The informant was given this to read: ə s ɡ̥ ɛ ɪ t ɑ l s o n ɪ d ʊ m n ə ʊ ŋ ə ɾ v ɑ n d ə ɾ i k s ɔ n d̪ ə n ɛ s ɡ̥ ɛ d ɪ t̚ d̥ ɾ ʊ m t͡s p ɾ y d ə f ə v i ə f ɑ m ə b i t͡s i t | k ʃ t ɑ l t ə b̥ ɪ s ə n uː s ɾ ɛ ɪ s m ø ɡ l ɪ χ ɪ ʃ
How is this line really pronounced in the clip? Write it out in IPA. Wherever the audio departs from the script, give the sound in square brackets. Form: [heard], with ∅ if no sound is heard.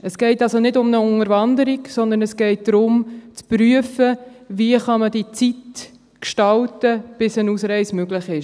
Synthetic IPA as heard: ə s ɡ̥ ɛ ɪ t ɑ l s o n ɪ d ʊ m n ə ʊ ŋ ə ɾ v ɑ n d ə ɾ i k s ɔ n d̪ ə n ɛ s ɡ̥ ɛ [∅] ɪ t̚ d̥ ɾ ʊ m t͡s p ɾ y [∅] ə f ə v i ə [χ] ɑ m ə [d] i t͡s i t | k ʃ t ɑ l t ə b̥ ɪ s ə n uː s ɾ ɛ ɪ s m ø ɡ l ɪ χ ɪ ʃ